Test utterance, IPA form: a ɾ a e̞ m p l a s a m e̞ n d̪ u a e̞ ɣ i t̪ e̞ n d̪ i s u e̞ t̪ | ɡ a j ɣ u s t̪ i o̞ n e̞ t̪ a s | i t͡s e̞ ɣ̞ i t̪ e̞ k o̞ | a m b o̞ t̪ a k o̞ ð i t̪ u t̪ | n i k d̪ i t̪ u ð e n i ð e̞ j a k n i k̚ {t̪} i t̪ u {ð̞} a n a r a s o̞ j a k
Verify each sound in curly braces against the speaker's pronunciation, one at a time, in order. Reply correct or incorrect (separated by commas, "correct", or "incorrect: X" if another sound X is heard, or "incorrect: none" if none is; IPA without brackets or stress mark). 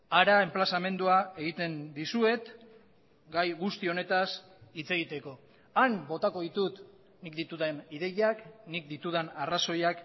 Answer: incorrect: d̪, correct